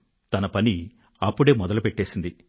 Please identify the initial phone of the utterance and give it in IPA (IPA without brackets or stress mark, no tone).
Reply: t̪